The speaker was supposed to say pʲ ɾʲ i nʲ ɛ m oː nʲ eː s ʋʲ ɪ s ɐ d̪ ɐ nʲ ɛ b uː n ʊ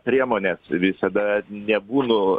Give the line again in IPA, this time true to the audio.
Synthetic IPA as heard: pʲ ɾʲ i ɛ m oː nʲ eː s ʋʲ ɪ s ɐ d̪ ɐ nʲ ɛ b uː n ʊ